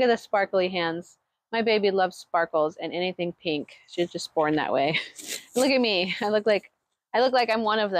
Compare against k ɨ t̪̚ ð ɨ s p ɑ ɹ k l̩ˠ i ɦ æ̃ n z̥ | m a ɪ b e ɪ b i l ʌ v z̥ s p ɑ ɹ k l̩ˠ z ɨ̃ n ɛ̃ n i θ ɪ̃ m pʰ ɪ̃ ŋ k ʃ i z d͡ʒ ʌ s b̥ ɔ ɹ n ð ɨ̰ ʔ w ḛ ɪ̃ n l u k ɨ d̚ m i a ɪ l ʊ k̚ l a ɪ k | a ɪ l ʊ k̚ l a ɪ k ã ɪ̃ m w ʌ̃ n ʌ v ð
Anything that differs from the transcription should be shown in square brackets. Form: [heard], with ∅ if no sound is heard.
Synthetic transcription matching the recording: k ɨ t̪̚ ð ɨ s p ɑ ɹ k l̩ˠ i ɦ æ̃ n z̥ | m a ɪ b e ɪ b i l ʌ v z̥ s p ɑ ɹ k l̩ˠ z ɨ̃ n [ɛ] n i θ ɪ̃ [ŋ] pʰ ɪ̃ ŋ k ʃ i z d͡ʒ ʌ s b̥ ɔ ɹ n ð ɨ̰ ʔ w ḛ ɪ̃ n l [ʊ] k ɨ [t̚] m i a ɪ l ʊ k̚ l a ɪ k | a ɪ l ʊ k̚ l a ɪ k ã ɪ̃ m w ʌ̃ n ʌ v ð